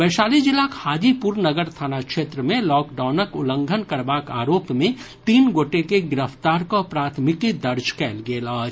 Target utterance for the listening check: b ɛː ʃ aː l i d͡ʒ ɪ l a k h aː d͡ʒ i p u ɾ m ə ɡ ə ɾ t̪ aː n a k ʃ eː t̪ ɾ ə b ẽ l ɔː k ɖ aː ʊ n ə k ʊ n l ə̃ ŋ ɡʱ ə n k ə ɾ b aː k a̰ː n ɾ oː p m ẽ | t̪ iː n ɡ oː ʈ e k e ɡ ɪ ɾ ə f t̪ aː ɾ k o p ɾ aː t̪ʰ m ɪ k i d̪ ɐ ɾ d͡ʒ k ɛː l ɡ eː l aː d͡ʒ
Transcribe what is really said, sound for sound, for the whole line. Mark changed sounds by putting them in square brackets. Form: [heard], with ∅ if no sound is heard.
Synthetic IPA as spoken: b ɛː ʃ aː l i d͡ʒ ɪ l a k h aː d͡ʒ i p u ɾ [n] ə ɡ ə ɾ [t̪ʰ] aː n a k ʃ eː t̪ ɾ ə [m] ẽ l ɔː k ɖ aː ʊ n ə k ʊ [∅] l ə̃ ŋ ɡʱ ə n k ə ɾ b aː k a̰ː [∅] ɾ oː p m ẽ | t̪ iː n ɡ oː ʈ e k e ɡ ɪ ɾ ə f t̪ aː ɾ k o p ɾ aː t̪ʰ m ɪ k i d̪ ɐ ɾ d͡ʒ k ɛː l ɡ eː l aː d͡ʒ

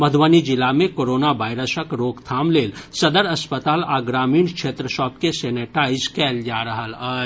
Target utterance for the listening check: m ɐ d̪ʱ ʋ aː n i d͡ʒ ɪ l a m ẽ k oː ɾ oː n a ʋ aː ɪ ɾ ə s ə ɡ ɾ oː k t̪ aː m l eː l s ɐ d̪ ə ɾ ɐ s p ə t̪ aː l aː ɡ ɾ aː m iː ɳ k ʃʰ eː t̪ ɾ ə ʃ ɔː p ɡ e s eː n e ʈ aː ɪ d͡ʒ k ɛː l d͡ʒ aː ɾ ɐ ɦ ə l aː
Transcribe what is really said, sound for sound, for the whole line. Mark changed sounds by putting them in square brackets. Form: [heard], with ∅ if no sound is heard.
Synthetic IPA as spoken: m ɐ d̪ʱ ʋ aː n i d͡ʒ ɪ l a m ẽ k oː ɾ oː n a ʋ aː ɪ ɾ ə s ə [k] ɾ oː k [t̪ʰ] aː m l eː l s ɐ d̪ ə ɾ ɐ s p ə t̪ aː l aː ɡ ɾ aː m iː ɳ k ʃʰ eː t̪ ɾ ə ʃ ɔː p [k] e s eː n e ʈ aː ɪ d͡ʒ k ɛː l d͡ʒ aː ɾ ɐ ɦ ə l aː

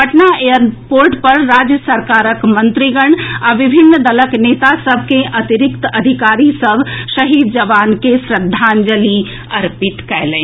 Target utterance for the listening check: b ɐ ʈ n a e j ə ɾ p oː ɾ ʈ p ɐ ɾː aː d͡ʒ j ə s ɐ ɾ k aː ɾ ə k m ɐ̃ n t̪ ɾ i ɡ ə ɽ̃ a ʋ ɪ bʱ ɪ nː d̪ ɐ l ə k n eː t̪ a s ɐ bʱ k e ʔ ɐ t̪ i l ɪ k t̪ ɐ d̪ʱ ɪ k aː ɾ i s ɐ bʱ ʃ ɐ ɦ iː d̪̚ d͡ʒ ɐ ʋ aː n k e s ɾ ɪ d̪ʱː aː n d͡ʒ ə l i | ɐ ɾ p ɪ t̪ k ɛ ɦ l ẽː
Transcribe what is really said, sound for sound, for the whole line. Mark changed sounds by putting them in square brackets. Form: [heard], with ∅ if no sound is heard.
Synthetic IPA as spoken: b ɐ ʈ n a e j ə ɾ p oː ɾ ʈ p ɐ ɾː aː d͡ʒ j ə s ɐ ɾ k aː ɾ ə k m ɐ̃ n t̪ ɾ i ɡ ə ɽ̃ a ʋ ɪ bʱ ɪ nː d̪ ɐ l ə k n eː t̪ a s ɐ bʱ k e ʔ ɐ t̪ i [ɾ] ɪ k t̪ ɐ d̪ʱ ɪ k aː ɾ i s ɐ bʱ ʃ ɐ ɦ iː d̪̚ d͡ʒ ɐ ʋ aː n k e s ɾ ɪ d̪ʱː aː n d͡ʒ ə l i | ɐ ɾ p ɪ t̪ k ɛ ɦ l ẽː

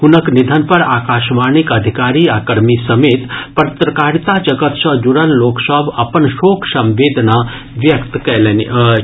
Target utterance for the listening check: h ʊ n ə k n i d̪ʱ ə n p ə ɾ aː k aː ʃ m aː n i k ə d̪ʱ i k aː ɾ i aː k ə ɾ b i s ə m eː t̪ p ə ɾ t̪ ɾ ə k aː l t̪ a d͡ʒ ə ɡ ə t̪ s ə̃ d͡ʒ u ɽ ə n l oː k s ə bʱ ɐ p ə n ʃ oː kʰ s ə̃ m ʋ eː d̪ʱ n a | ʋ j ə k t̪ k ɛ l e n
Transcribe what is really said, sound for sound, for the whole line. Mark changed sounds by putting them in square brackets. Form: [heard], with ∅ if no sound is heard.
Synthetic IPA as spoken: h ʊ n ə k n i d̪ʱ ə n p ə ɾ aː k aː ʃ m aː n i k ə d̪ʱ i k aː ɾ i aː k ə ɾ [m] i s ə m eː t̪ p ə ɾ t̪ ɾ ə k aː [ɾ] t̪ a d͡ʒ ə ɡ ə t̪ s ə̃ d͡ʒ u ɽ ə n l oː k s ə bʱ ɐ p ə n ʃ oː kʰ s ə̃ m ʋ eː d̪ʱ n a | ʋ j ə k t̪ k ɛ l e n

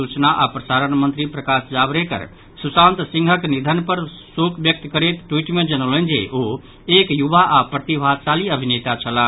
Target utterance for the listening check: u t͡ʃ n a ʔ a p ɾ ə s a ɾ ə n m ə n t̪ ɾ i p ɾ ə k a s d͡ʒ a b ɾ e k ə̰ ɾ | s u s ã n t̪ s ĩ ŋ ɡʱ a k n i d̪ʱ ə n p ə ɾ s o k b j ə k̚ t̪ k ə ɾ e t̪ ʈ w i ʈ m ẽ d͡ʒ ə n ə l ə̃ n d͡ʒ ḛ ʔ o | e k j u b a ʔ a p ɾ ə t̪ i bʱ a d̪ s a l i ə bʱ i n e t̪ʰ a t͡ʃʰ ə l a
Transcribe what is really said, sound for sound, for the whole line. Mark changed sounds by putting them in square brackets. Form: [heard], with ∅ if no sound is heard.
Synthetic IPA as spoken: u t͡ʃ n a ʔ a p ɾ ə s a ɾ ə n m ə n t̪ ɾ i p ɾ ə k a s d͡ʒ a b ɾ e k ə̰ ɾ | s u s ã n t̪ s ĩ ŋ ɡʱ [ə] k n i d̪ʱ ə n p ə ɾ s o k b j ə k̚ t̪ k ə ɾ e t̪ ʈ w i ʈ m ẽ d͡ʒ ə n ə l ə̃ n d͡ʒ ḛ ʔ o | e k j u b a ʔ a p ɾ ə t̪ i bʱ a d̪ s a l i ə bʱ i n e [t̪] a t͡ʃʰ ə l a

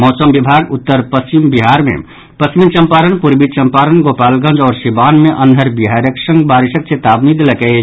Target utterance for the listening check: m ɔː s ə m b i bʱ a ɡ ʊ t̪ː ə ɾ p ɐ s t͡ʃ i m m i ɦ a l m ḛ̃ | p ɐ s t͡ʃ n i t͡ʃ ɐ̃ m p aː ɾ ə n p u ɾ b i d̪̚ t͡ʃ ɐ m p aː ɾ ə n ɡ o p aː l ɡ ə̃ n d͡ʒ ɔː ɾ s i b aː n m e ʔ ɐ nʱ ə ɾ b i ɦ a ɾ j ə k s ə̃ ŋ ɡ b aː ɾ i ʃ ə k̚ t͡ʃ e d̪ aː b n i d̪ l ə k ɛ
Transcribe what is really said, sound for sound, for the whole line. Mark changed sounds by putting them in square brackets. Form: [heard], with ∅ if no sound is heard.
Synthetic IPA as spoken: m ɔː s ə m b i bʱ a ɡ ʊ t̪ː ə ɾ p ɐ s t͡ʃ i m [b] i ɦ a [ɾ] m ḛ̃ | p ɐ s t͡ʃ [m] i t͡ʃ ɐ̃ m p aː ɾ ə n p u ɾ b i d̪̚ t͡ʃ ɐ m p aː ɾ ə n ɡ o p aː l ɡ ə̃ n d͡ʒ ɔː ɾ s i b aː n m e ʔ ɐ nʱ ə ɾ b i ɦ a ɾ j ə k s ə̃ ŋ ɡ b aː ɾ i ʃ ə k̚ t͡ʃ e [t̪] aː b n i d̪ l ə k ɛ

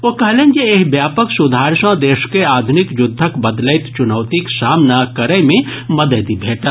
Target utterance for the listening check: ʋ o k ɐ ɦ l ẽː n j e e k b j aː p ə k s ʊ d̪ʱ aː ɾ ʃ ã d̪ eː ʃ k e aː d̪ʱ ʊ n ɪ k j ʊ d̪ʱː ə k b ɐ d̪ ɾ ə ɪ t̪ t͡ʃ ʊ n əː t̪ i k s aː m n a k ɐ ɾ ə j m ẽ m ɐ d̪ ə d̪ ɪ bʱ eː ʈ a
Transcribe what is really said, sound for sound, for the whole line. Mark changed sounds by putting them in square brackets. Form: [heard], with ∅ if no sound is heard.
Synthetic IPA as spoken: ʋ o k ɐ ɦ l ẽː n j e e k b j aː p ə k s ʊ d̪ʱ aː ɾ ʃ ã d̪ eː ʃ k e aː d̪ʱ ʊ n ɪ k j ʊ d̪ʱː ə k b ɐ d̪ [l] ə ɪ t̪ t͡ʃ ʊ n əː t̪ i k s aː m n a k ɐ ɾ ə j m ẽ m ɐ d̪ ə d̪ [i] bʱ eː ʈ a

